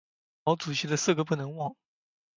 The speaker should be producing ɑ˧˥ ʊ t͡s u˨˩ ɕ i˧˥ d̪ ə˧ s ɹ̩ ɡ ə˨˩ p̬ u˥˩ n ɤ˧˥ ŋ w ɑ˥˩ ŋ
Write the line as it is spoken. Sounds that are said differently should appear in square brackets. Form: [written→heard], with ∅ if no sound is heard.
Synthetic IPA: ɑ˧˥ ʊ t͡s u˨˩ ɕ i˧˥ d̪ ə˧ s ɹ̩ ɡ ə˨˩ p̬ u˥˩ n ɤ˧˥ ŋ w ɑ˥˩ ŋ